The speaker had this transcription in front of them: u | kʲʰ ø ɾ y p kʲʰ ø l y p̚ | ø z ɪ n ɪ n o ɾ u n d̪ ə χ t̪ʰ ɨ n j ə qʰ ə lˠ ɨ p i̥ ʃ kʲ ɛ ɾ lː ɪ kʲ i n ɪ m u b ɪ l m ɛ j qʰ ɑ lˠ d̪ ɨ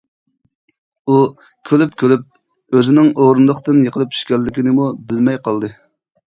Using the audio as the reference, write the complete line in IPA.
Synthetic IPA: u | kʲʰ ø l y p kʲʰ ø l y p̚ | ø z ɪ n ɪ ŋ o ɾ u n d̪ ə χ t̪ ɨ n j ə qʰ ə lˠ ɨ p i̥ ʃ kʲ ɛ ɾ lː ɪ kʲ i n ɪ m u b ɪ l m ɛ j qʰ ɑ lˠ d̪ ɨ